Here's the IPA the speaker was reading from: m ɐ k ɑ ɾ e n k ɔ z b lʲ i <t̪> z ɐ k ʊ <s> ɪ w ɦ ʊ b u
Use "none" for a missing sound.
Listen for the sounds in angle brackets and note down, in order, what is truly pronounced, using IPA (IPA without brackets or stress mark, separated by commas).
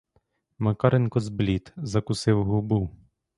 t̪, s